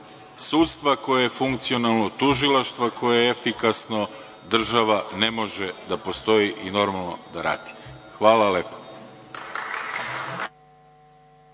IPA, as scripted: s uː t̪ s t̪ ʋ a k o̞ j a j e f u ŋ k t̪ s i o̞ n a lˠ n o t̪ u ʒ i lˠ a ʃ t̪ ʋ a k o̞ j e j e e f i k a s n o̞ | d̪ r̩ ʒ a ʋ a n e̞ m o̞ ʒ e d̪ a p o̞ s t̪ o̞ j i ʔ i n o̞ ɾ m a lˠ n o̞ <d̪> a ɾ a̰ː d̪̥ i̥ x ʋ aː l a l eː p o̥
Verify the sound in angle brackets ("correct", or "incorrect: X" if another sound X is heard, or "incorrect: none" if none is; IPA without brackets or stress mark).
correct